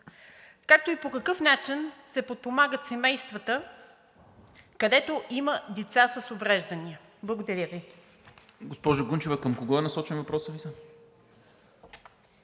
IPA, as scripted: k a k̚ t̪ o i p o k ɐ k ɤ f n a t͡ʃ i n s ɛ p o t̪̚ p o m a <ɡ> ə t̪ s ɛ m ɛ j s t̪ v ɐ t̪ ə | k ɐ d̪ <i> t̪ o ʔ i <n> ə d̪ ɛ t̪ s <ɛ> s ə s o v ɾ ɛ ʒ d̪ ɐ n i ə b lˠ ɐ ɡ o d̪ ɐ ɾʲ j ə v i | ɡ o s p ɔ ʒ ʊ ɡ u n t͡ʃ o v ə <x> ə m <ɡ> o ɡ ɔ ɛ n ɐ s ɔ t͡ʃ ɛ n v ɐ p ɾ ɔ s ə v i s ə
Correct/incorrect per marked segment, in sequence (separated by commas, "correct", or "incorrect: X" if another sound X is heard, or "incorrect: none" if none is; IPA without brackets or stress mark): correct, incorrect: ɛ, incorrect: m, incorrect: a, incorrect: k, incorrect: k